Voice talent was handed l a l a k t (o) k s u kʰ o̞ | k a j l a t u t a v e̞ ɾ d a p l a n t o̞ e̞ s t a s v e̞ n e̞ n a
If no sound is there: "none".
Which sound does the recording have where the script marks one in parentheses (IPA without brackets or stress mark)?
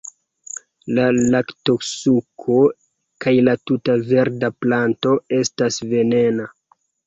o